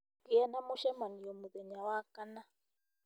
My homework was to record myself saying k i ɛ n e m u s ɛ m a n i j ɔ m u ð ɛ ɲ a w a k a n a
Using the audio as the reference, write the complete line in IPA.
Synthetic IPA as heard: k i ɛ n a m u ʃ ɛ m a n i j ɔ m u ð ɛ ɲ a w a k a n a